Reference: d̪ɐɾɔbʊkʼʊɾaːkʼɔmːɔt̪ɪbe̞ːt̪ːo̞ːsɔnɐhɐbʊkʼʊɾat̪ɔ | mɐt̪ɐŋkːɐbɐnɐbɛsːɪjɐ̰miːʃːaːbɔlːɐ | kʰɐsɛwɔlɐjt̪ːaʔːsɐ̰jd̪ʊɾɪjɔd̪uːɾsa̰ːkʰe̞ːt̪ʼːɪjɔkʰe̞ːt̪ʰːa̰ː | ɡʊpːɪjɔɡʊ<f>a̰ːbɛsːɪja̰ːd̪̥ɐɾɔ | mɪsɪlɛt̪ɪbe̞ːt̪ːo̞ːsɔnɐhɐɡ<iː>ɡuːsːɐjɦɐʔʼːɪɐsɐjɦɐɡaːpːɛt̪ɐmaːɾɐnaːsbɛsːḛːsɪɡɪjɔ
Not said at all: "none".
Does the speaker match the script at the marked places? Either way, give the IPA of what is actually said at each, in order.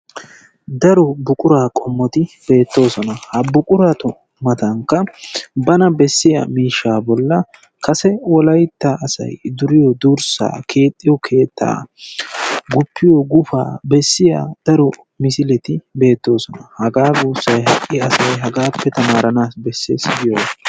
f, aː

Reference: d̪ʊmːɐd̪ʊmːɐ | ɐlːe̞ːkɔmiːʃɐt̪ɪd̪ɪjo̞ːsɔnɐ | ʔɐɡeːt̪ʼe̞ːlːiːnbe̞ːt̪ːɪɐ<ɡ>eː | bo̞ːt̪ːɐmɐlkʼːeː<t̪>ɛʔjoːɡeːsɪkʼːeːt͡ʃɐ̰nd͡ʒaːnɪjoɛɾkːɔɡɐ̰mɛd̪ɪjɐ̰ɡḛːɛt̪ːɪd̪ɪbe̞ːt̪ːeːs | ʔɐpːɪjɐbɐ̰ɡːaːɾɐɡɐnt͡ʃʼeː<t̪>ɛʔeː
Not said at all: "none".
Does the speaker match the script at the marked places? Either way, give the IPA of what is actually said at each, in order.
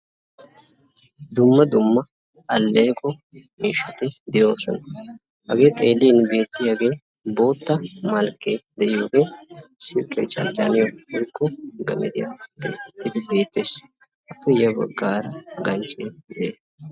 ɡ, d̪, d̪

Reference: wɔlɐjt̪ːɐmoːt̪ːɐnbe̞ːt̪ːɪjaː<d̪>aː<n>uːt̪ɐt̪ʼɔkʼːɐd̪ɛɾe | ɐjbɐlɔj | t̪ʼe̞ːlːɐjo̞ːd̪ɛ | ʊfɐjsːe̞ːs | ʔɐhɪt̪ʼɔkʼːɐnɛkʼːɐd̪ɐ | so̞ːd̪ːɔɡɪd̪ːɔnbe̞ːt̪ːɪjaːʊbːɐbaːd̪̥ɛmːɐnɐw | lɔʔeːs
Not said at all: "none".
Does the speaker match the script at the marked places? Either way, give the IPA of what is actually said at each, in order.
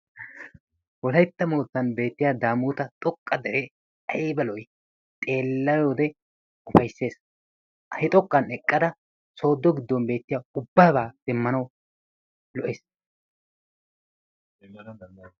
d̪, m

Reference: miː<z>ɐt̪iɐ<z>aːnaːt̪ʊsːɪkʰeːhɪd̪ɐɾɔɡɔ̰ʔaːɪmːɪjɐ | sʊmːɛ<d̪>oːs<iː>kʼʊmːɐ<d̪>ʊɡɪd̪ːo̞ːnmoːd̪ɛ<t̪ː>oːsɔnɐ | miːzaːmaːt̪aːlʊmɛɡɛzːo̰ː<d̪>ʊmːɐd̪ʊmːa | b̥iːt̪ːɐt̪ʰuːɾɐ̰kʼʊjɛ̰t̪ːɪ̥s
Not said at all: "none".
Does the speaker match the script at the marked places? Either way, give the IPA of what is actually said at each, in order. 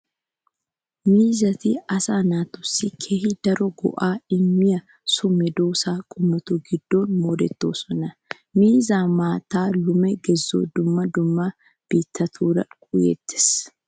z, s, d̪, aː, t̪, t̪ː, d̪

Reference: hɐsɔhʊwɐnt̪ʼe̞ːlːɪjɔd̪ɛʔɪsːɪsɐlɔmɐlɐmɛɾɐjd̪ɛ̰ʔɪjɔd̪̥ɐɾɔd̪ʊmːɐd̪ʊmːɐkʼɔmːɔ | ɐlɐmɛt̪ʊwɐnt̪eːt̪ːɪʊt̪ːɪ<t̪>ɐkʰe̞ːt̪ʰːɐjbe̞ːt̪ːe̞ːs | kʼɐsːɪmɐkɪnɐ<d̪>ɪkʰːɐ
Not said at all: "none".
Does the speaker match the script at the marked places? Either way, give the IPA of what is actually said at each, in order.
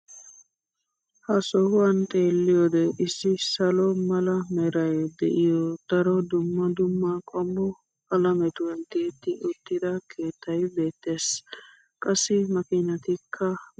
d̪, t̪

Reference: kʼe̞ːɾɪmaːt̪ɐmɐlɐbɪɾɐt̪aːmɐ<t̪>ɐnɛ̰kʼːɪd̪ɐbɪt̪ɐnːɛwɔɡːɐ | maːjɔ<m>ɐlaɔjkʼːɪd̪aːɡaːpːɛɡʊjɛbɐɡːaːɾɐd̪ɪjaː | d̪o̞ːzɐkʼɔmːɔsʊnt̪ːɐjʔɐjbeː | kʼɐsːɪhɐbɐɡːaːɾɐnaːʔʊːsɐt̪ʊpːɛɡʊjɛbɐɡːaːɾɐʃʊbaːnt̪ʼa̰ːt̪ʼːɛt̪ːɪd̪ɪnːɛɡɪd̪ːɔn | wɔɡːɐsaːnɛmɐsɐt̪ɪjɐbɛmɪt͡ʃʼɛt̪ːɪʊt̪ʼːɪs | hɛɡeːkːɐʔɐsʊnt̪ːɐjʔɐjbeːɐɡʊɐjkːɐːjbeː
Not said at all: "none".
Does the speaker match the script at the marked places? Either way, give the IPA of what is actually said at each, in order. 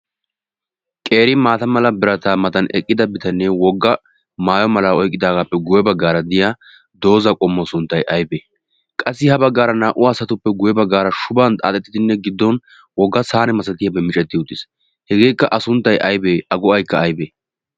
t̪, m

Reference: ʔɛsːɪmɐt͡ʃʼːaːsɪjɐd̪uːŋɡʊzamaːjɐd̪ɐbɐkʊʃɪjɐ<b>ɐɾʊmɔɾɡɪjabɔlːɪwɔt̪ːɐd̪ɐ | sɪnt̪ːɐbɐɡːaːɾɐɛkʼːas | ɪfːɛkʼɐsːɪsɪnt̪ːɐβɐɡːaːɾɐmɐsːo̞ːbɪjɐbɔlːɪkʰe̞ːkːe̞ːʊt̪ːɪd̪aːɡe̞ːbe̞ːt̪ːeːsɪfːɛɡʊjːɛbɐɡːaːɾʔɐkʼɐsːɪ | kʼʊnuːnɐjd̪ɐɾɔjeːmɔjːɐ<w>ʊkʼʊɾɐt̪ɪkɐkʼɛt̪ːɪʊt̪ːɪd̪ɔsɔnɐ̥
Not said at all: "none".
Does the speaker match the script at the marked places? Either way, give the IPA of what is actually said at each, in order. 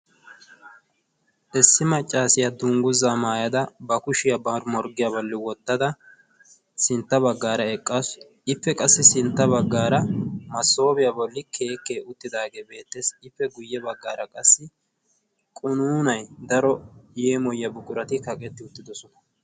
b, b

